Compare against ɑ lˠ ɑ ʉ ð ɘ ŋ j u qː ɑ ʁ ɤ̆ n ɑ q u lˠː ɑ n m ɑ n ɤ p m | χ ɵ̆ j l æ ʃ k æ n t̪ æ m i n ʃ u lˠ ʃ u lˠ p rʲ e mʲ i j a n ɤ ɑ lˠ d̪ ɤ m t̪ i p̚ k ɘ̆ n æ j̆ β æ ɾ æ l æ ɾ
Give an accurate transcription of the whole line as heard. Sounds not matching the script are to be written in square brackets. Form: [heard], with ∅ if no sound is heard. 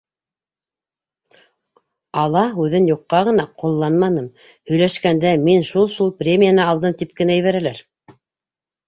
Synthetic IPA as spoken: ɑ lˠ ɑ ʉ ð ɘ [n] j u qː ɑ ʁ ɤ̆ n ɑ q u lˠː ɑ n m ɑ n ɤ [∅] m | [h] ɵ̆ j l æ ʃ k æ n [d̪] æ m i n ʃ u lˠ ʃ u lˠ p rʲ e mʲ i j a n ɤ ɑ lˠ d̪ ɤ m t̪ i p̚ k ɘ̆ n æ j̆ β æ ɾ æ l æ ɾ